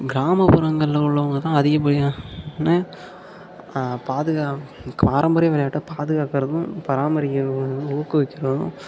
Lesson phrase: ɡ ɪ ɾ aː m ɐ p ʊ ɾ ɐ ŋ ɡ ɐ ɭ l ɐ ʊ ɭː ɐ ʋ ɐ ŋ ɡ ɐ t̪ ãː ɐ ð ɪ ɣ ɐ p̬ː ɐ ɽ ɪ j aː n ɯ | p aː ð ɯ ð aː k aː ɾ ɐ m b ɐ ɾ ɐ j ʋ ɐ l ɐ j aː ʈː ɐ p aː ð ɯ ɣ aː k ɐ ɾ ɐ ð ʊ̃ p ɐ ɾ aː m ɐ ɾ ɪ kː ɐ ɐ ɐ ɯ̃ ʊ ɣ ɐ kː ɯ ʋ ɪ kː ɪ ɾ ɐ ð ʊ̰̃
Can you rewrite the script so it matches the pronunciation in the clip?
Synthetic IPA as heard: ɡ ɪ ɾ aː m ɐ p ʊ ɾ ɐ ŋ ɡ ɐ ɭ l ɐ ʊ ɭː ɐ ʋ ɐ ŋ ɡ ɐ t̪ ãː ɐ ð ɪ ɣ ɐ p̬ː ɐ ɽ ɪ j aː n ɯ | p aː ð ɯ ɣ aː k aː ɾ ɐ m b ɐ ɾ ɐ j ʋ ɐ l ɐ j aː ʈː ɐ p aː ð ɯ ɣ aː k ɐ ɾ ɐ ð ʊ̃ p ɐ ɾ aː m ɐ ɾ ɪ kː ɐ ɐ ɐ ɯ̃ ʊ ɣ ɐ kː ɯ ʋ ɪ kː ɪ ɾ ɐ ð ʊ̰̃

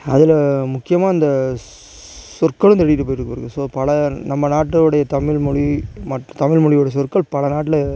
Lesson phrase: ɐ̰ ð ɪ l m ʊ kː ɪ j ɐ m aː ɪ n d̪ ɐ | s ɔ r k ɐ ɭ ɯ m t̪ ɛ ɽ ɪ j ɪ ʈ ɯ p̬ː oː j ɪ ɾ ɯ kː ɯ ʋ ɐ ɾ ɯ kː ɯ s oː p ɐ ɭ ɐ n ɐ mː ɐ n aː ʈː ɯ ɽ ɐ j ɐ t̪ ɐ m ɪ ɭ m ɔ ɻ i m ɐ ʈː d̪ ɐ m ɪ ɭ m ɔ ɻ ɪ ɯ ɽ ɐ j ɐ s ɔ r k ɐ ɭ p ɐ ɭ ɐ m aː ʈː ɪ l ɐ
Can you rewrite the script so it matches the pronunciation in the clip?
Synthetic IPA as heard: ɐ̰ ð ɪ l m ʊ kː ɪ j ɐ m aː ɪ n d̪ ɐ | s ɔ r k ɐ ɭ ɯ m t̪ ɛ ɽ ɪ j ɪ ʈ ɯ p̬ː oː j ɪ ɾ ɯ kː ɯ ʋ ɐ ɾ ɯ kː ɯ s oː p ɐ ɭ ɐ n ɐ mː ɐ n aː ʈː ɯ ɽ ɐ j ɐ t̪ ɐ m ɪ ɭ m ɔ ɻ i m ɐ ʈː t̪ ɐ m ɪ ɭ m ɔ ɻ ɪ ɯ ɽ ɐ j ɐ s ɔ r k ɐ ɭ p ɐ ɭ ɐ n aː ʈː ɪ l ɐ

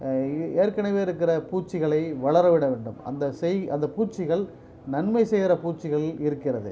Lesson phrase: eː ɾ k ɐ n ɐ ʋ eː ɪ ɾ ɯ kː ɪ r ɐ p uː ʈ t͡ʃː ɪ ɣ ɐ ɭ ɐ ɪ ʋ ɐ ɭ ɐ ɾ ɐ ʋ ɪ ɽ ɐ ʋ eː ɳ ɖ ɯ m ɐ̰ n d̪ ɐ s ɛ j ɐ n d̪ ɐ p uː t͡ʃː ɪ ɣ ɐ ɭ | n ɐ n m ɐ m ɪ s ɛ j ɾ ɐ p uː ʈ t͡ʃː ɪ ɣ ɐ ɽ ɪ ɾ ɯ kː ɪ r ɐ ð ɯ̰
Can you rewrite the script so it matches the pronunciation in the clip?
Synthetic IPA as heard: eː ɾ k ɐ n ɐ ʋ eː ɪ ɾ ɯ kː ɪ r ɐ p uː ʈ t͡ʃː ɪ ɣ ɐ ɭ ɐ ɪ ʋ ɐ ɭ ɐ ɾ ɐ ʋ ɪ ɽ ɐ ʋ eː ɳ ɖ ɯ m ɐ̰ n d̪ ɐ s ɛ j ɐ n d̪ ɐ p uː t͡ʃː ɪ ɣ ɐ ɭ | n ɐ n m ɐ ɪ s ɛ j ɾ ɐ p uː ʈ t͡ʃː ɪ ɣ ɐ ɭ ɪ ɾ ɯ kː ɪ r ɐ ð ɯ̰

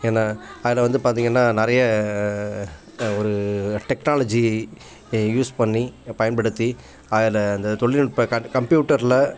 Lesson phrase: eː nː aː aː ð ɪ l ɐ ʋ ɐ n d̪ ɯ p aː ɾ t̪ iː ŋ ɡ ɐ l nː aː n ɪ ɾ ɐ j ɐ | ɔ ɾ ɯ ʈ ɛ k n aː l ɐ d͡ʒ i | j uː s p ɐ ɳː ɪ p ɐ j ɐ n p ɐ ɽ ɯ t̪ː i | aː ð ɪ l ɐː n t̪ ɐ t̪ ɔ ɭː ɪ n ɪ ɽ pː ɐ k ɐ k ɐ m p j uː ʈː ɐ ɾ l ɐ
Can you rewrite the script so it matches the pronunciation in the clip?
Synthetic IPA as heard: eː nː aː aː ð ɪ l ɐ ʋ ɐ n d̪ ɯ p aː ɾ t̪ iː ŋ ɡ ɐ nː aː n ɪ ɾ ɐ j ɐ | ɔ ɾ ɯ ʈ ɛ k n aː l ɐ d͡ʒ i | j uː s p ɐ ɳː i p ɐ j ɐ n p ɐ ɽ ɯ t̪ː i | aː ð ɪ l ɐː n d̪ ɐ t̪ ɔ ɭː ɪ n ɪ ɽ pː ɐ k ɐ k ɐ m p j uː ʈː ɐ ɾ l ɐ

